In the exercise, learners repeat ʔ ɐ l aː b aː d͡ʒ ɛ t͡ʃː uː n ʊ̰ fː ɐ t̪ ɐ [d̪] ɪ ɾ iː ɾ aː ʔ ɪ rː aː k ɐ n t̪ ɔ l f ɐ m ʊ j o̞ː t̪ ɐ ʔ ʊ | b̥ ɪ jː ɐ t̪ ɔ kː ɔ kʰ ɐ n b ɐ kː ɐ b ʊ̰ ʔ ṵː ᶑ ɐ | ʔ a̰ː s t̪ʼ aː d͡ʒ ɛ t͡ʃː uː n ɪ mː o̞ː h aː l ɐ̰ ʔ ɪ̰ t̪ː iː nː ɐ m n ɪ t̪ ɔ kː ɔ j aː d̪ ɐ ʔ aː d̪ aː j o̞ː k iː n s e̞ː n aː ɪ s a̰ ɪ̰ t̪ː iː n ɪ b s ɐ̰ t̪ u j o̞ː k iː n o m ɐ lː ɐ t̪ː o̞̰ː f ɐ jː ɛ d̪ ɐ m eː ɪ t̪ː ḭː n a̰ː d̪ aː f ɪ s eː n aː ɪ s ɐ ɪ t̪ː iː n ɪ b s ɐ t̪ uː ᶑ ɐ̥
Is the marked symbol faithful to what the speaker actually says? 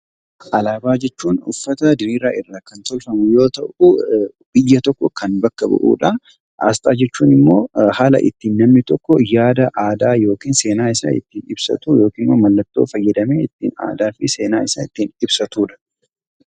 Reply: yes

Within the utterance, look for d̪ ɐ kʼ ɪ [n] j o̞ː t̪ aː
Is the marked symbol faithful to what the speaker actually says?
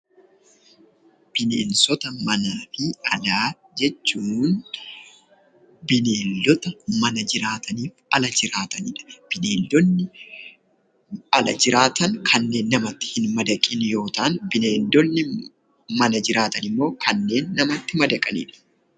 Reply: yes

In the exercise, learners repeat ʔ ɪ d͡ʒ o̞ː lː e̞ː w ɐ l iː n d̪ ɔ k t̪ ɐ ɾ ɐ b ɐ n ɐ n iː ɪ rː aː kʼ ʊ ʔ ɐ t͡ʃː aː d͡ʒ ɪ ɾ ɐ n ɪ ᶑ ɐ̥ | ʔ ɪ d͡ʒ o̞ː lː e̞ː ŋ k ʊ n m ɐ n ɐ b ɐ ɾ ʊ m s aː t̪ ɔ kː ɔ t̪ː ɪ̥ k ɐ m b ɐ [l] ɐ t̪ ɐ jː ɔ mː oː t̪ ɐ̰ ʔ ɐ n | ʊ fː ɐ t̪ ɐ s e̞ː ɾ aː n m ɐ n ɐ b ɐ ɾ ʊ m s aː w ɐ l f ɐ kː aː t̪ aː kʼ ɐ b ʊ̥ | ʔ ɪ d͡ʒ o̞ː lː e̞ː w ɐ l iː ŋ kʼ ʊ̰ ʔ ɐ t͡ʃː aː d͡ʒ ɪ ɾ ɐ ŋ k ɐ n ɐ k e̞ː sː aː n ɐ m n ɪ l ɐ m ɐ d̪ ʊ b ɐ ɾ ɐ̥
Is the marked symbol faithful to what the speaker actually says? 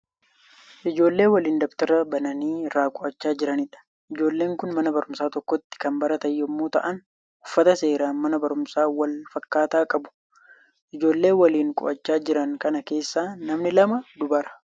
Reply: no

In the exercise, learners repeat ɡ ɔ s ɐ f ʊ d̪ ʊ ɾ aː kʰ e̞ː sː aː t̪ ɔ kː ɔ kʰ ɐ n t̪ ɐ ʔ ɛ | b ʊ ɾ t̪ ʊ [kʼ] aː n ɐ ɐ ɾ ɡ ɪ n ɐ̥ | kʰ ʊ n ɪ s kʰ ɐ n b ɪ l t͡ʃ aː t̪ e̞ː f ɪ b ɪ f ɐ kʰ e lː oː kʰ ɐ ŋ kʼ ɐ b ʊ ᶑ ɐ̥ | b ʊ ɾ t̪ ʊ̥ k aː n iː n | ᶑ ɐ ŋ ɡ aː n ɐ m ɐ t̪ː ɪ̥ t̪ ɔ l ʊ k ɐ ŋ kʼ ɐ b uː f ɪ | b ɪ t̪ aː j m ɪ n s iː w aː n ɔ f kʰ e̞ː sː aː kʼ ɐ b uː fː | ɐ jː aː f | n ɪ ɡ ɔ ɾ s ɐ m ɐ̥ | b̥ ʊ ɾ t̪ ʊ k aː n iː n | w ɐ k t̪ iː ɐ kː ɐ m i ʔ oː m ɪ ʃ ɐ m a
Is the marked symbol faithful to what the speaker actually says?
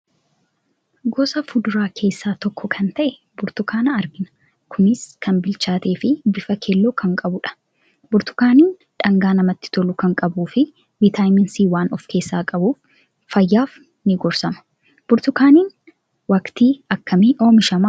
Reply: no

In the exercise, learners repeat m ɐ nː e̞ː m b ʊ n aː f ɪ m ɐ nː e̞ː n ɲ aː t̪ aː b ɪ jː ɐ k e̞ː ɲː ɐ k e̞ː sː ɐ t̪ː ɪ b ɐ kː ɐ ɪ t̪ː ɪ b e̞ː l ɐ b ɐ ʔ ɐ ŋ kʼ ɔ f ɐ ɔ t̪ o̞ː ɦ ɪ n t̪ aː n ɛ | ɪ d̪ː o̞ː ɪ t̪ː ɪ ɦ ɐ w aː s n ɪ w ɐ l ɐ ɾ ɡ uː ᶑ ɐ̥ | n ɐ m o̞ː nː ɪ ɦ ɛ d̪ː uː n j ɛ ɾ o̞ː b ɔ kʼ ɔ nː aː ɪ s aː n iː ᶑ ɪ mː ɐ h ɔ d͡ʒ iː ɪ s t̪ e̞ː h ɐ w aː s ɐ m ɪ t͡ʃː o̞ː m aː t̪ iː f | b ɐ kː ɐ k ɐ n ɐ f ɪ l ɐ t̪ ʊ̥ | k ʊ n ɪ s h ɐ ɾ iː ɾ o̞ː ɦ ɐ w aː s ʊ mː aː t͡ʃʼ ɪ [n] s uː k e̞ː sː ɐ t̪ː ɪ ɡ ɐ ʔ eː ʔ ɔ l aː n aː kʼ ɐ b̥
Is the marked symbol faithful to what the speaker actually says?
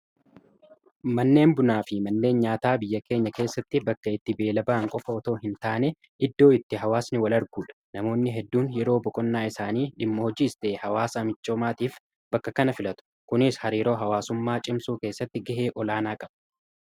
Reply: no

